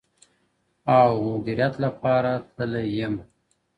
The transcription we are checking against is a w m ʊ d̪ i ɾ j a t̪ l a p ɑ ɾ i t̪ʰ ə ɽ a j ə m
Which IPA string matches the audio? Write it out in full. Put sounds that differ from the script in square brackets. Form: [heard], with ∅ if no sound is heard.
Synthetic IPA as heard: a w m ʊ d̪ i ɾ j a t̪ l a p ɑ ɾ [a] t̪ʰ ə [l] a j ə m